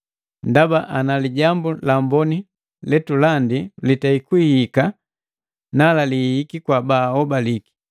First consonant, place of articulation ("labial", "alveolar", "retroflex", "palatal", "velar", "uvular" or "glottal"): alveolar